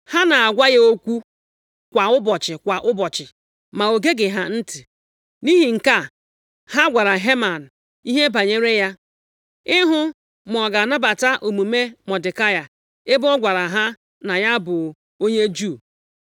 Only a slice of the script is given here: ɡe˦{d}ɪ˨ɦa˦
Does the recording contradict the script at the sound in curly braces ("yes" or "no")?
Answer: yes